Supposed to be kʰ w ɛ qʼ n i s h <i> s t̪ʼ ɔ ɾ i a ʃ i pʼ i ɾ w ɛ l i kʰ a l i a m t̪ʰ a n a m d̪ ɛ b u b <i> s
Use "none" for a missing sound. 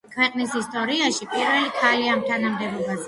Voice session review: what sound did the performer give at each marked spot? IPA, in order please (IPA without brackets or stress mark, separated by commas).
i, a